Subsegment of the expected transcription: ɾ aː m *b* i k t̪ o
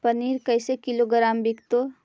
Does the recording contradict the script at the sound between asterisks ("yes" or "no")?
no